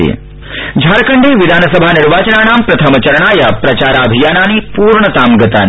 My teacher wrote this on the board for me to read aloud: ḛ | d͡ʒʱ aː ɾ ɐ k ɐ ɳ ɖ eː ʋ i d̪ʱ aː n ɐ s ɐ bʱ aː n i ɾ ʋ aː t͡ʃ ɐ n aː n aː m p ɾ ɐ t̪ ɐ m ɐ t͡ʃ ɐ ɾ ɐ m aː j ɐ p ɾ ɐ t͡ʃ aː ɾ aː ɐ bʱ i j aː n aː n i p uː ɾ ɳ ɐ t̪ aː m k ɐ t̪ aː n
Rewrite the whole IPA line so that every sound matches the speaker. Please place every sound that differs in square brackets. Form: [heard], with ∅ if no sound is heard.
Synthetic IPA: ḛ | d͡ʒʱ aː ɾ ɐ k ɐ ɳ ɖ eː ʋ i d̪ʱ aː n ɐ s ɐ bʱ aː n i ɾ ʋ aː t͡ʃ ɐ n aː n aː m p ɾ ɐ [t̪ʰ] ɐ m ɐ t͡ʃ ɐ ɾ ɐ [ɳ] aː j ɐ p ɾ ɐ t͡ʃ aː ɾ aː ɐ bʱ i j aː n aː n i p uː ɾ ɳ ɐ t̪ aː m [ɡ] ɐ t̪ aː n

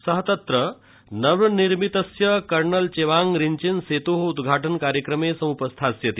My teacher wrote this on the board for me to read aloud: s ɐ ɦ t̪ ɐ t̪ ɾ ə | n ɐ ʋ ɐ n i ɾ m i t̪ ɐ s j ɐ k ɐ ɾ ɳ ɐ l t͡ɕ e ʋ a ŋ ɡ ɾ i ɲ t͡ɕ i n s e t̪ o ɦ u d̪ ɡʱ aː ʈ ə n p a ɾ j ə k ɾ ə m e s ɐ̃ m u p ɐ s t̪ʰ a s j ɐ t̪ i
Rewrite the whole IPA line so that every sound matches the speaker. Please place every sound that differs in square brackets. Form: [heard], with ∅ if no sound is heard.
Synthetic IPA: s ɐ ɦ t̪ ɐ t̪ ɾ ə | n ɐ ʋ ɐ n i ɾ m i t̪ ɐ s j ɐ k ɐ ɾ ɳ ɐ l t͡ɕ e ʋ a ŋ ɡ ɾ i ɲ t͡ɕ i n s e t̪ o ɦ u d̪ ɡʱ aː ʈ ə n [k] a ɾ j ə k ɾ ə m e s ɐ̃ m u p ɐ s t̪ʰ a s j ɐ t̪ i

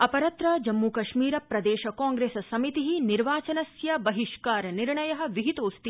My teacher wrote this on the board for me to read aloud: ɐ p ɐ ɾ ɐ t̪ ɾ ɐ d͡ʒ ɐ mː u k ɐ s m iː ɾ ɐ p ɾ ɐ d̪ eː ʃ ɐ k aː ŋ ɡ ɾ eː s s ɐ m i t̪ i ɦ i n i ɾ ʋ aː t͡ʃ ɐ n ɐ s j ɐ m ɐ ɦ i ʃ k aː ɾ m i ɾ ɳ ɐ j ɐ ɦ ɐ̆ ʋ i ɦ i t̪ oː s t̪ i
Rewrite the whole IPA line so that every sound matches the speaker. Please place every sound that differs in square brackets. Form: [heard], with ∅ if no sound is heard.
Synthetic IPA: ɐ p ɐ ɾ ɐ t̪ ɾ ɐ d͡ʒ ɐ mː u k ɐ [ʃ] m iː ɾ ɐ p ɾ ɐ d̪ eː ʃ ɐ k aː ŋ ɡ ɾ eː s s ɐ m i t̪ i ɦ i n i ɾ ʋ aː t͡ʃ ɐ n ɐ s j ɐ [b] ɐ ɦ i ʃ k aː ɾ [n] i ɾ ɳ ɐ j ɐ ɦ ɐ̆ ʋ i ɦ i t̪ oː s t̪ i

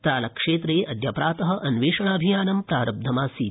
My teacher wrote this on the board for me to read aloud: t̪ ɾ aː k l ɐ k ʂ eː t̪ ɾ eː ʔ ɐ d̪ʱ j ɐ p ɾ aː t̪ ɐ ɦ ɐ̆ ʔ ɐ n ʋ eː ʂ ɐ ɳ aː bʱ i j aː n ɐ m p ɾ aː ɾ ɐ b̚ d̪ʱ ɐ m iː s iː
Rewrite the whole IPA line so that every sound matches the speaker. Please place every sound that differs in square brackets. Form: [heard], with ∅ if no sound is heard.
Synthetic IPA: t̪ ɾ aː [∅] l ɐ k ʂ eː t̪ ɾ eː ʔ ɐ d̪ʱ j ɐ p ɾ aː t̪ ɐ ɦ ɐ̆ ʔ ɐ n ʋ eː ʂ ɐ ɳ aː bʱ i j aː n ɐ m p ɾ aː ɾ ɐ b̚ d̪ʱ ɐ m [aː] s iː

